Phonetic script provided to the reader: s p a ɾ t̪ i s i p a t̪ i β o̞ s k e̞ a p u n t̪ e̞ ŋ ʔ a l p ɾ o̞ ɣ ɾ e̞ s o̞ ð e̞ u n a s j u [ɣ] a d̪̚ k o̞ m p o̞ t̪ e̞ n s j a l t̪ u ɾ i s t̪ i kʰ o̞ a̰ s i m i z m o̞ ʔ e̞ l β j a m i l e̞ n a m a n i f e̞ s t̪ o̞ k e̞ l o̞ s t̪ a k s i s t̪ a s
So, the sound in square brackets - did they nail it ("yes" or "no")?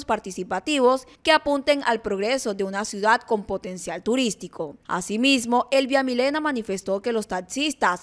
no